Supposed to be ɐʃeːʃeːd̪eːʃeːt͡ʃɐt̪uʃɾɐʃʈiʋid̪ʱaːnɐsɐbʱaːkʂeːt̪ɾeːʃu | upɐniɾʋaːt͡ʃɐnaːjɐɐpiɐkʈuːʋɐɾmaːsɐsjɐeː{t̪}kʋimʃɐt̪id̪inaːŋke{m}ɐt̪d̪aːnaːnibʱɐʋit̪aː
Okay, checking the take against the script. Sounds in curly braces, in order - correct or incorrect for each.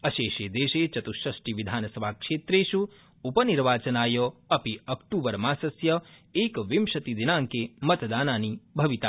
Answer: incorrect, correct

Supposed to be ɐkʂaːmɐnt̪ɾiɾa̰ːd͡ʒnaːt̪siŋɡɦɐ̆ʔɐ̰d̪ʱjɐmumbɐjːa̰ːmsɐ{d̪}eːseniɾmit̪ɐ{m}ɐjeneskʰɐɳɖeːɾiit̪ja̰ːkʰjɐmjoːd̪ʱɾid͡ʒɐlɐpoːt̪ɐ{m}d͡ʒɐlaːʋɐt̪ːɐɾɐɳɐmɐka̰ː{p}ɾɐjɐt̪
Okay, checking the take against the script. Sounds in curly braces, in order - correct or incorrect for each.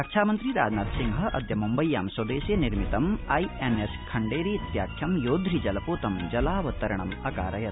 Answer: correct, correct, correct, incorrect

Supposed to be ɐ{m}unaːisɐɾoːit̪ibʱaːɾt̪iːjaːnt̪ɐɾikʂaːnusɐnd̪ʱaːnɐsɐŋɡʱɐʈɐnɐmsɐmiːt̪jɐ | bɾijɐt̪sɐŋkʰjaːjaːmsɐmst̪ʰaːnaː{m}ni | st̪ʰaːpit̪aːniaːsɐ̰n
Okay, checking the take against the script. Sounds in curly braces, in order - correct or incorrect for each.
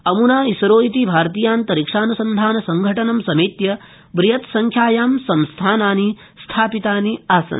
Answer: correct, incorrect

